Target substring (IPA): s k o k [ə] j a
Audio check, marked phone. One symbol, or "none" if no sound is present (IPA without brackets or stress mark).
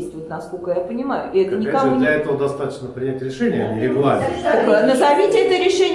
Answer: ə